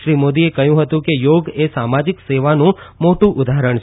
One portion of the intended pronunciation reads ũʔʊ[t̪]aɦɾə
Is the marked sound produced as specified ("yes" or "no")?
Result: no